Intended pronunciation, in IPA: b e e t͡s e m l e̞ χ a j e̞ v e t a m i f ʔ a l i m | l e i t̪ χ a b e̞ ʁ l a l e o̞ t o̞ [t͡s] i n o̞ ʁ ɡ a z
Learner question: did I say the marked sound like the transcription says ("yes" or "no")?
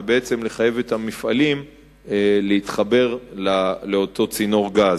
yes